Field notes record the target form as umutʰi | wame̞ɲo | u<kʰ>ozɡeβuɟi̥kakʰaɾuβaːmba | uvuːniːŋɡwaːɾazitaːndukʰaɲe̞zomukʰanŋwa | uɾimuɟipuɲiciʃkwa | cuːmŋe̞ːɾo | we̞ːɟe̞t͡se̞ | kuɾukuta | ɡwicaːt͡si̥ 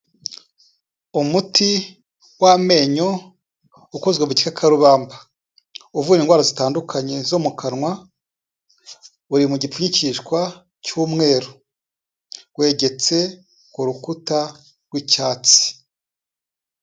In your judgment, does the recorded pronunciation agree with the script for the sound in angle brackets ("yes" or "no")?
no